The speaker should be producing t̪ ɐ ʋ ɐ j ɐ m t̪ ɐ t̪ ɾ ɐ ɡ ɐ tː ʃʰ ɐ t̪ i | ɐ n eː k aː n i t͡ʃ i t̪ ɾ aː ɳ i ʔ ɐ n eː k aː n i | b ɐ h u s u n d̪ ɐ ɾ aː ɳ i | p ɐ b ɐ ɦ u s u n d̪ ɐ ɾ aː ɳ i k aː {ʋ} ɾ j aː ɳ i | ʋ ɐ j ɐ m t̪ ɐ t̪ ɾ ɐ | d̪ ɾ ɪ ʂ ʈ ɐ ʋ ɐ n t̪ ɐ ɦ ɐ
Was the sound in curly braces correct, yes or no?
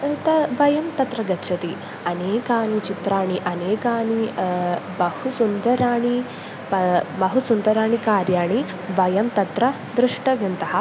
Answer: no